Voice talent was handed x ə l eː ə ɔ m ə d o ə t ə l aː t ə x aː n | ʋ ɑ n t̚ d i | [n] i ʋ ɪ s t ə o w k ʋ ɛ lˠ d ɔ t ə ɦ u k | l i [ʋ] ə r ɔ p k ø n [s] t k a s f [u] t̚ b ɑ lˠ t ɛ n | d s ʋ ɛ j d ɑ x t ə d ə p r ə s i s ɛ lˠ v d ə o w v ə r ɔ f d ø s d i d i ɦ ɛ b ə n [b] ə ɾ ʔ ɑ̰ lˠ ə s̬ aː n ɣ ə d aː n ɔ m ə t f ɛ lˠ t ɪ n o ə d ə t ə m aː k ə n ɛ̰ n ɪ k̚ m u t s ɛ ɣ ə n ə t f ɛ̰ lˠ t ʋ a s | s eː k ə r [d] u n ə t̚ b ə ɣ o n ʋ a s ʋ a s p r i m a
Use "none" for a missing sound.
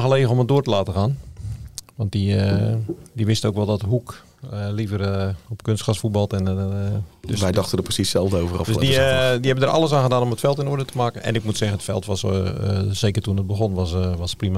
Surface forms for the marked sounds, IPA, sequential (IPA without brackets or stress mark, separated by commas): d, v, s, u, d, t